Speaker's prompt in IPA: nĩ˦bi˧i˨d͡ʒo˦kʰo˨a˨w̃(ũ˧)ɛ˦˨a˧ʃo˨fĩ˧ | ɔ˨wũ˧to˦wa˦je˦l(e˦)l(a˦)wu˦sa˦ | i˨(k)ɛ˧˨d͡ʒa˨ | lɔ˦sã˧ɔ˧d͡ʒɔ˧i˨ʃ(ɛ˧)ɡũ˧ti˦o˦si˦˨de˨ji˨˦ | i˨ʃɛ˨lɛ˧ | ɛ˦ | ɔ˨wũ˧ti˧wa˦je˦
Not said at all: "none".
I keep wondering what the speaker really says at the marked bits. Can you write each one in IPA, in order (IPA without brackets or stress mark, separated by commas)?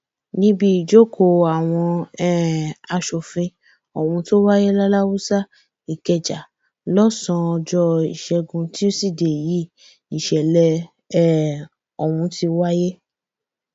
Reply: ɔ̃˧, a˦, a˦, k, ɛ˧